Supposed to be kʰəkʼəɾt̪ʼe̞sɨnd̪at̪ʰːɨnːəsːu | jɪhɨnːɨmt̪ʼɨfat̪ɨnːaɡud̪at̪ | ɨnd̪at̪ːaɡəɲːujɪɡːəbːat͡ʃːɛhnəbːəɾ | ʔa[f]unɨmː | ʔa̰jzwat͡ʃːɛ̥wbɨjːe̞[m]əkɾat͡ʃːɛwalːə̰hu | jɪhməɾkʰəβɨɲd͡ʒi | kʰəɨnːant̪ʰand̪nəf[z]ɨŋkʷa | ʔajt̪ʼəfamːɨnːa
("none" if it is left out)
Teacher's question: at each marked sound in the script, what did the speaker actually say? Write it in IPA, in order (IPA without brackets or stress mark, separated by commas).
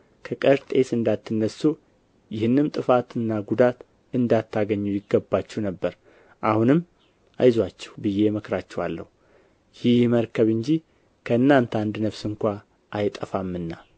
h, m, s